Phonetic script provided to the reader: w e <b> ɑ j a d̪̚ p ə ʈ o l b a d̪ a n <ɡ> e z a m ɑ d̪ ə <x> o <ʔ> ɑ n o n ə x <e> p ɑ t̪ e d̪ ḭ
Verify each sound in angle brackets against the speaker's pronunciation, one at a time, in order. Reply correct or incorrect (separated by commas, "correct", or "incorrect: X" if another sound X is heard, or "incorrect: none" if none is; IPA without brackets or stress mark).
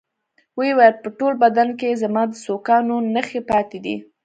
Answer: incorrect: w, incorrect: k, incorrect: s, incorrect: k, correct